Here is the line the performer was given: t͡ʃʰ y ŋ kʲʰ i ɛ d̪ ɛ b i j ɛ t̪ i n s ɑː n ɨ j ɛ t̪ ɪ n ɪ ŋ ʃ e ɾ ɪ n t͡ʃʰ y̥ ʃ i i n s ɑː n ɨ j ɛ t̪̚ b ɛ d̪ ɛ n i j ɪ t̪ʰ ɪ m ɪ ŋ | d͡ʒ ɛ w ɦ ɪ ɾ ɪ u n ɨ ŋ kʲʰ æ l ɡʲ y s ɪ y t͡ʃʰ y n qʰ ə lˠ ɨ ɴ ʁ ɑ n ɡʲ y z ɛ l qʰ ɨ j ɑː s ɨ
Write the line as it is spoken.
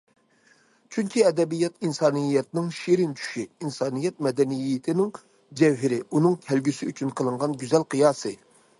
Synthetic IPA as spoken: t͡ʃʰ y ŋ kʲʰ i ɛ d̪ ɛ b i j ɛ t̪ i n s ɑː n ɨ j ɛ t̪ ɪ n ɪ ŋ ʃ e ɾ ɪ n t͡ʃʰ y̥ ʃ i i n s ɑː n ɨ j ɛ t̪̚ m ɛ d̪ ɛ n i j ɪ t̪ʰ ɪ n ɪ ŋ | d͡ʒ ɛ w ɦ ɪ ɾ ɪ u n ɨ ŋ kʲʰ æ l ɡʲ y s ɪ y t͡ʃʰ y n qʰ ə lˠ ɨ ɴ ʁ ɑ n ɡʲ y z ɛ l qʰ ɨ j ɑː s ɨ

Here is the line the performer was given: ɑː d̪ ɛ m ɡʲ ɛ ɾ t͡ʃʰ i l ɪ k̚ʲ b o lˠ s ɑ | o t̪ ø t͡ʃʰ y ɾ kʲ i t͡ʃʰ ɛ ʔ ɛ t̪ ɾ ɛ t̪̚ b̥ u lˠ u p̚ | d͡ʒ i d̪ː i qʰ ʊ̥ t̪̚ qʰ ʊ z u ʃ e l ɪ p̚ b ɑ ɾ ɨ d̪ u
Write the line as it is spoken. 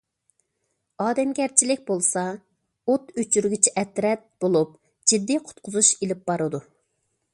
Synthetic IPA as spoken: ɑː d̪ ɛ m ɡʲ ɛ ɾ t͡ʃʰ i l ɪ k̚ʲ b o lˠ s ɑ | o t̪ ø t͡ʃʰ y ɾ ɡʲ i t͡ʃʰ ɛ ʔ ɛ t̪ ɾ ɛ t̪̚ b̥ o lˠ u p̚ | d͡ʒ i d̪ː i qʰ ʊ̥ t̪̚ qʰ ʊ z u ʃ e l ɪ p̚ b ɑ ɾ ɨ d̪ u

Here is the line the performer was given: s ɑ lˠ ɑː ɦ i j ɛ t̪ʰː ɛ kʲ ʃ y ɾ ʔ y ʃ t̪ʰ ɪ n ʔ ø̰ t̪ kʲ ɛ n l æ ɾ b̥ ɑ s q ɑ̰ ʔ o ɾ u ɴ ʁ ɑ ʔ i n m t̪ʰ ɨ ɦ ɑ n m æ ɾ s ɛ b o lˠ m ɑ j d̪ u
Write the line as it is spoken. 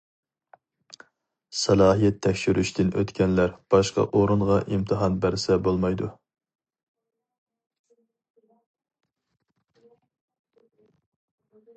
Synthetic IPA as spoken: s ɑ lˠ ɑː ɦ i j ɛ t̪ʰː ɛ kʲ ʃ y ɾ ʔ y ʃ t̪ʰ ɪ n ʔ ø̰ t̪ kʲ ɛ n l æ ɾ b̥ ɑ ʃ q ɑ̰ ʔ o ɾ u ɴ ʁ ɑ ʔ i m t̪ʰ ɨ ɦ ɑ n b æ ɾ s ɛ b o lˠ m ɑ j d̪ u

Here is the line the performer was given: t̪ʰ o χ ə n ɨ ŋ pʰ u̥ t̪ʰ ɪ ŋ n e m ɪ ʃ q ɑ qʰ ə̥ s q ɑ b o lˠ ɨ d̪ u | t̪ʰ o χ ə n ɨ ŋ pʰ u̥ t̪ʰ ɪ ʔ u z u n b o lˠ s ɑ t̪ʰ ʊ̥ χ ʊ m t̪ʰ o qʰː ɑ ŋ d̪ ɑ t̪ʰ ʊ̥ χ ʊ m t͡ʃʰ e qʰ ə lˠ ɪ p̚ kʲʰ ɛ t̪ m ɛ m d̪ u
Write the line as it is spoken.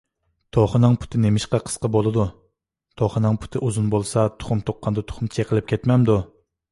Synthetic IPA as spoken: t̪ʰ o χ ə n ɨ ŋ pʰ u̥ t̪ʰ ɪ n e m ɪ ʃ q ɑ qʰ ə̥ s q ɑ b o lˠ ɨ d̪ u | t̪ʰ o χ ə n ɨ ŋ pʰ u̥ t̪ʰ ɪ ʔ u z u n b o lˠ s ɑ t̪ʰ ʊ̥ χ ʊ m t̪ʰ o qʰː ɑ n d̪ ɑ t̪ʰ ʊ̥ χ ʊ m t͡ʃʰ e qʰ ə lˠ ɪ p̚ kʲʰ ɛ t̪ m ɛ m d̪ u

